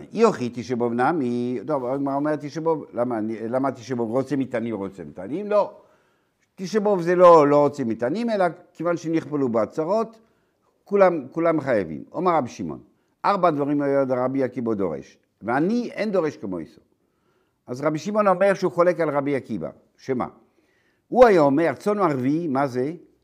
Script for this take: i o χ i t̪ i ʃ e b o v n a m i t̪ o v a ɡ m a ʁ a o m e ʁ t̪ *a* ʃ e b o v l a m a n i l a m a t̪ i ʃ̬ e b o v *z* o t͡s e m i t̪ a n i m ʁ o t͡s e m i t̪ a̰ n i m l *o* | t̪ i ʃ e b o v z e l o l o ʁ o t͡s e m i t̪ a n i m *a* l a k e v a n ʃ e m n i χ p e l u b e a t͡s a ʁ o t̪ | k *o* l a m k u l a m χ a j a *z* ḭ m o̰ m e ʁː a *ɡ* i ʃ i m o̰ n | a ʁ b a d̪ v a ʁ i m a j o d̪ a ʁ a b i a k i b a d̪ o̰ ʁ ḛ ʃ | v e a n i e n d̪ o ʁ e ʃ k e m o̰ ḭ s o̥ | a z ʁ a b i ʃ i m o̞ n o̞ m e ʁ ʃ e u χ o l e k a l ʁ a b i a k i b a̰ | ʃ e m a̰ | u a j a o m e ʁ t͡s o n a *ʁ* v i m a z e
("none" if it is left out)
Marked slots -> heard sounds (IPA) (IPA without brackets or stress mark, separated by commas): i, ʁ, o, e, u, v, b, ʁ